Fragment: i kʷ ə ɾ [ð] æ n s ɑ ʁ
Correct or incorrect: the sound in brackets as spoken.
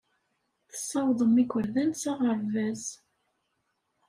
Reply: correct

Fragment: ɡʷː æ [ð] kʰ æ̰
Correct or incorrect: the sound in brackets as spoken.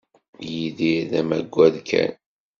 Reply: correct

